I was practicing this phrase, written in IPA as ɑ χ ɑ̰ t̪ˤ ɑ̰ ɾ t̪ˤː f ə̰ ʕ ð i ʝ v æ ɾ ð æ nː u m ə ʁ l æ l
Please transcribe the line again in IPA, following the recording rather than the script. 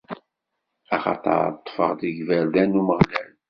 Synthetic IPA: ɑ χ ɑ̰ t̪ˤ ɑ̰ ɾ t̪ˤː f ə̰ ʁ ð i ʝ v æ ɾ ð æ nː u m ə ʁ l æ l